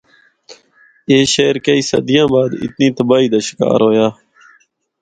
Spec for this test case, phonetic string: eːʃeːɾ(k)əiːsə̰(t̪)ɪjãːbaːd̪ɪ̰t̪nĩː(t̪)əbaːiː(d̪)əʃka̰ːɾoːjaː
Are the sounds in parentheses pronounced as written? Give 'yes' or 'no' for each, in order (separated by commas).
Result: yes, no, yes, yes